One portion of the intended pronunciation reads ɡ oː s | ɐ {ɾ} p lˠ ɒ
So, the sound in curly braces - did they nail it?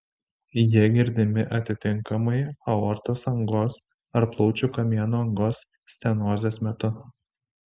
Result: yes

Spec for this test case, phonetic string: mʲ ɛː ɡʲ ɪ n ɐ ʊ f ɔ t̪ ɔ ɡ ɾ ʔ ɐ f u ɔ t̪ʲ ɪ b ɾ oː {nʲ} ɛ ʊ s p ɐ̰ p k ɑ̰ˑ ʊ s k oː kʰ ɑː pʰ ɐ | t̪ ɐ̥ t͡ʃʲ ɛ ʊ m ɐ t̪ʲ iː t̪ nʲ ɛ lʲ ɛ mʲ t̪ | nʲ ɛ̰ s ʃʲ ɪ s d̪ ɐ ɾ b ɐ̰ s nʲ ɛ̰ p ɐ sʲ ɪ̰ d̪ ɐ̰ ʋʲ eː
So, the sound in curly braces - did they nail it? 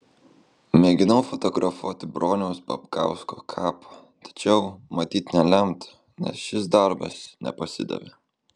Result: yes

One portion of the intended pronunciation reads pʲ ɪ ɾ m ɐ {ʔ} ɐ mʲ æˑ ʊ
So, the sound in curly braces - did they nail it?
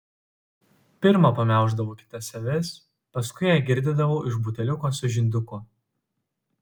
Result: no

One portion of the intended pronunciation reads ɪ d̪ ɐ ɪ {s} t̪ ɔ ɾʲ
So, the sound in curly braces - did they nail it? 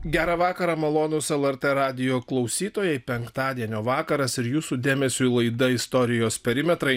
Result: yes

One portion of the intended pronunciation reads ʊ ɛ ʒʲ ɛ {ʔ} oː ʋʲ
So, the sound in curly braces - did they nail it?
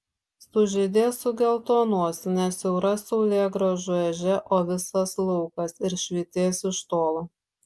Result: yes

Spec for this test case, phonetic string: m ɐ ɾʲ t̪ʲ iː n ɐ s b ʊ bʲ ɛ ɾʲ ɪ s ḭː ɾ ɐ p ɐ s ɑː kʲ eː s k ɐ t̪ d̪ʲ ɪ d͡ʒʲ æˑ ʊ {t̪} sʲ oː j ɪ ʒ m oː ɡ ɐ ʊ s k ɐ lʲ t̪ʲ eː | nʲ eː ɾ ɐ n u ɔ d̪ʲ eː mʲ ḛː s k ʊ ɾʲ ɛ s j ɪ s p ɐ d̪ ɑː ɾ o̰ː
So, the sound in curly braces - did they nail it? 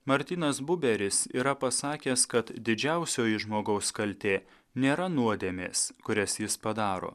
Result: no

